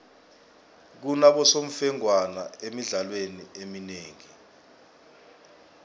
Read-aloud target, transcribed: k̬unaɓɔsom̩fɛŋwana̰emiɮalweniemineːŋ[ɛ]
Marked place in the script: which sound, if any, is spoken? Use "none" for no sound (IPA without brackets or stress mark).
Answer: i